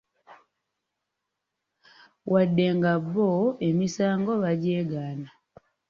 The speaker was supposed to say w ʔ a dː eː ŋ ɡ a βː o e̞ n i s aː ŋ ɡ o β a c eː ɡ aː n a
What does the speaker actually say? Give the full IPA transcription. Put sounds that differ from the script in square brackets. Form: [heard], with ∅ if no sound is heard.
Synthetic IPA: w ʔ a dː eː ŋ ɡ a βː o e̞ [m] i s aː ŋ ɡ o β a [ɟ] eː ɡ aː n a

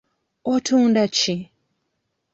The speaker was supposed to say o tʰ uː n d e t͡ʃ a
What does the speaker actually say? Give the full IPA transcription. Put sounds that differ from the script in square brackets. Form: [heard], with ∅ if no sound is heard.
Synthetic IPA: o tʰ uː n d [a] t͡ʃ [i]

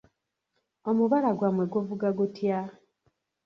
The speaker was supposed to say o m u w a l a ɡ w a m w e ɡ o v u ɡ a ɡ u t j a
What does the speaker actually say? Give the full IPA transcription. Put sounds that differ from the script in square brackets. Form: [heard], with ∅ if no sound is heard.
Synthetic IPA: o m u [β] a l a ɡ w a m w e ɡ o v u ɡ a ɡ u t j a

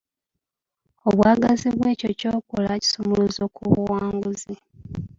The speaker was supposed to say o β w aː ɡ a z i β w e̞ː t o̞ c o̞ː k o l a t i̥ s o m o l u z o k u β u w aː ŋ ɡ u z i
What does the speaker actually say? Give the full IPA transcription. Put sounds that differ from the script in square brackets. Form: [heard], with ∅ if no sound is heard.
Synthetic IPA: o β w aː ɡ a z i β w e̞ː [c] o̞ c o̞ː k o l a [c] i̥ s o m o l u z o k u β u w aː ŋ ɡ u z i

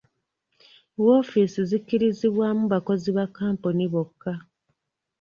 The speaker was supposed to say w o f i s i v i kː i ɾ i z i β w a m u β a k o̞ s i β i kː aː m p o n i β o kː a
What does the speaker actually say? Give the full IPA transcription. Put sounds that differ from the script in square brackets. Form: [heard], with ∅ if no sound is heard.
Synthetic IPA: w o f i s i [z] i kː i ɾ i z i β w a m u β a k o̞ [z] i β [a] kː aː m p o n i β o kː a

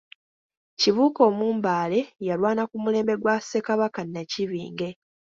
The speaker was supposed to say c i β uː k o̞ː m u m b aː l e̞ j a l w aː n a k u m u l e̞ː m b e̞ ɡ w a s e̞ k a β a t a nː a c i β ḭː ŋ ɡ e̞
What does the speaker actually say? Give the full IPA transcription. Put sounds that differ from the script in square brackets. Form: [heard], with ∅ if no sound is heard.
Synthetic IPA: c i β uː k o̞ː m [uː] m b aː l e̞ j a l w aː n a k u m u l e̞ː m b e̞ ɡ w a s e̞ k a β a [k] a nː a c i β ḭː ŋ ɡ e̞

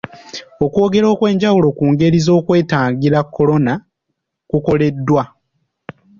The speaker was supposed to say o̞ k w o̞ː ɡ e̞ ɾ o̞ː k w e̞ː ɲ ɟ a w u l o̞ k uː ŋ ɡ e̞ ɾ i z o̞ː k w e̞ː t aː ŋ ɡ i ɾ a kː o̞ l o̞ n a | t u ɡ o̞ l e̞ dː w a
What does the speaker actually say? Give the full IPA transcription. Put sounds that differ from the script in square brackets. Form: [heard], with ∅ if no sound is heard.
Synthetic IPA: o̞ k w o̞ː ɡ e̞ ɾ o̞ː k w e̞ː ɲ ɟ a w u l o̞ k uː ŋ ɡ e̞ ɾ i z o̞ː k w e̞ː t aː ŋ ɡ i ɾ a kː o̞ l o̞ n a | [k] u [k] o̞ l e̞ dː w a

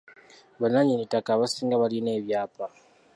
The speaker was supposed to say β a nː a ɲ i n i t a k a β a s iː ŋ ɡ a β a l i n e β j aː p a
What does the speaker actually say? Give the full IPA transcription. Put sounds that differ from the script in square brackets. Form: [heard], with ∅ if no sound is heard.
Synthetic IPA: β a [n] a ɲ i n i t a k a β a s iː ŋ ɡ a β a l i n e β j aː p a

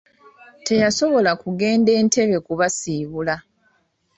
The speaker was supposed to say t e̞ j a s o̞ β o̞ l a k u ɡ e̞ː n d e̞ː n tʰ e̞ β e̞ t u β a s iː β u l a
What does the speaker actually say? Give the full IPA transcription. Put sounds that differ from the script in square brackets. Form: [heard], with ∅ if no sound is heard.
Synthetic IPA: t e̞ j a s o̞ β o̞ l a k u ɡ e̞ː n d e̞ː n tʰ e̞ β e̞ [k] u β a s iː β u l a

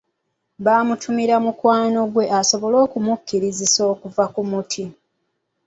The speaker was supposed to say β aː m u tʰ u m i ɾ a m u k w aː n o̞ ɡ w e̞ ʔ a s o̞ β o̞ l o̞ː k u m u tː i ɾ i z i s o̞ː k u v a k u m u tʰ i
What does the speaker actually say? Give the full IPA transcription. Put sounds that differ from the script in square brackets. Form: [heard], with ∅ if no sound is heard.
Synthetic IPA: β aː m u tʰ u m i ɾ a m u k w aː n o̞ ɡ w e̞ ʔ a s o̞ β o̞ l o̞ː k u m u [kː] i ɾ i z i s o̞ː k u v a k u m u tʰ i

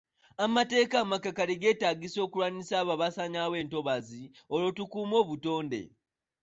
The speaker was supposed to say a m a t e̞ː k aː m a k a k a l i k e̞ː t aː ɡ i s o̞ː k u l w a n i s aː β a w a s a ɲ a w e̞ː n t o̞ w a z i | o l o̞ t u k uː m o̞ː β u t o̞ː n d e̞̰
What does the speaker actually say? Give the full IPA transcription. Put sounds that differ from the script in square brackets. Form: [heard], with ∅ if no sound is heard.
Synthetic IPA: a m a t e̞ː k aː m a k a k a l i [ɡ] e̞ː t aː ɡ i s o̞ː k u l w a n i s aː β a [β] a s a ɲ a w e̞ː n t o̞ [β] a z i | o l o̞ t u k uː m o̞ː β u t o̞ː n d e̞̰

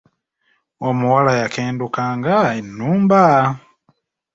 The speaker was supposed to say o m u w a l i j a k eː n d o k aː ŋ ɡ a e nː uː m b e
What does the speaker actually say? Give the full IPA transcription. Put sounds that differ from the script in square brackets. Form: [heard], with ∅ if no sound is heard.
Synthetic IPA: o m u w a l [a] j a k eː n d [u] k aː ŋ ɡ a e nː uː m b [a]

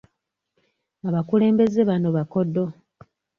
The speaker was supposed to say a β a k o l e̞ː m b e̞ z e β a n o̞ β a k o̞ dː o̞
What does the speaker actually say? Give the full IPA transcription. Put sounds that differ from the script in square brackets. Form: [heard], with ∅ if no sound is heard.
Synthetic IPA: a β a k [u] l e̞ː m b e̞ z e β a n o̞ β a k o̞ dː o̞

